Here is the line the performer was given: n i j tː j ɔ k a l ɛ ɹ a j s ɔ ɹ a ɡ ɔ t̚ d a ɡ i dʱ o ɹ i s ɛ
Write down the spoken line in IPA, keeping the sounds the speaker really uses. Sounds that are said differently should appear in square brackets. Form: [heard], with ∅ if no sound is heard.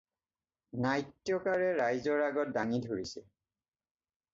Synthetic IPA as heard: n [a] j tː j ɔ k a [ɹ] ɛ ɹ a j [z] ɔ ɹ a ɡ ɔ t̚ d a [ŋ] i dʱ o ɹ i s ɛ